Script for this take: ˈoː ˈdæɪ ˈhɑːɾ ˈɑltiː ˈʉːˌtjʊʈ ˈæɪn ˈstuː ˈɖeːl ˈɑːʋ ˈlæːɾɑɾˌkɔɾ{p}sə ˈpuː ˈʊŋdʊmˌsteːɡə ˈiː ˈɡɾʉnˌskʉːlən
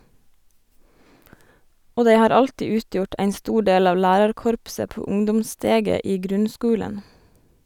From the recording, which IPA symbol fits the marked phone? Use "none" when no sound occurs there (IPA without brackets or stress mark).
p